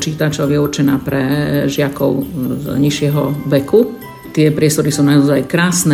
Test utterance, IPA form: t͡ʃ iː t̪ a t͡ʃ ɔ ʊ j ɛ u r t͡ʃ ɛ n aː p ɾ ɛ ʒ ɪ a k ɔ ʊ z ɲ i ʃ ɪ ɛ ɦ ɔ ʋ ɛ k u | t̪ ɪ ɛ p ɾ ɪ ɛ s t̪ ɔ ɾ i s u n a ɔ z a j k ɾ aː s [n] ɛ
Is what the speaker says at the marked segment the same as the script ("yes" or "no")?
yes